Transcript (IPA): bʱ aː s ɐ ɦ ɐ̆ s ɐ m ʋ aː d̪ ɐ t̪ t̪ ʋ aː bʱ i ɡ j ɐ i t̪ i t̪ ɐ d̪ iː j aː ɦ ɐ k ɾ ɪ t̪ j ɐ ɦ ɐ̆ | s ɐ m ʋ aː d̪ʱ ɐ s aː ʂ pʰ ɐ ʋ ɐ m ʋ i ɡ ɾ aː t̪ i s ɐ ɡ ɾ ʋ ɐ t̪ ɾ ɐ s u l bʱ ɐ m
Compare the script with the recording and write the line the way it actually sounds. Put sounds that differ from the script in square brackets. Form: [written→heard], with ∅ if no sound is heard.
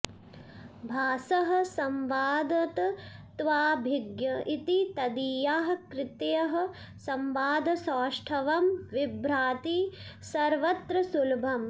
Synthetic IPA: bʱ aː s ɐ ɦ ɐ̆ s ɐ m ʋ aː d̪ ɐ t̪ t̪ ʋ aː bʱ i ɡ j ɐ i t̪ i t̪ ɐ d̪ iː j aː ɦ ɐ k ɾ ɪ t̪ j ɐ ɦ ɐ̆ | s ɐ m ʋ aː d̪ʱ ɐ s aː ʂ [pʰ→ʈʰ] ɐ ʋ ɐ m ʋ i [ɡ→b] ɾ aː t̪ i s ɐ [ɡ→∅] ɾ ʋ ɐ t̪ ɾ ɐ s u l bʱ ɐ m